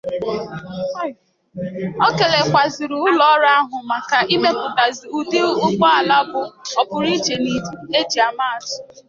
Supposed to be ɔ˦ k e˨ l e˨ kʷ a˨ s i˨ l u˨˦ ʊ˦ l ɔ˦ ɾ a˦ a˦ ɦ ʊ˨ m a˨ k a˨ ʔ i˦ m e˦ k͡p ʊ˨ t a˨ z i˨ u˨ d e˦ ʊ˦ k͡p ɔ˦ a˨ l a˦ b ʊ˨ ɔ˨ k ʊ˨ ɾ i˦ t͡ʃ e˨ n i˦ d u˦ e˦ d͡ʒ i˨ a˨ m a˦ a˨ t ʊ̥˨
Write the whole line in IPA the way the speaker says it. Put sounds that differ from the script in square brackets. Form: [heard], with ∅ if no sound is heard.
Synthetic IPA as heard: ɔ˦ k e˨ l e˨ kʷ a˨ [z] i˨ [ɾ] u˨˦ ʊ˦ l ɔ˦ ɾ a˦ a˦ ɦ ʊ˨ m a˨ k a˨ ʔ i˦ m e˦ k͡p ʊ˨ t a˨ z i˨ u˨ d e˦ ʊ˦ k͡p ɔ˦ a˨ l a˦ b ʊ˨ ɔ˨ [p] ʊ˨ ɾ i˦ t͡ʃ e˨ n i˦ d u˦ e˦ d͡ʒ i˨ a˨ m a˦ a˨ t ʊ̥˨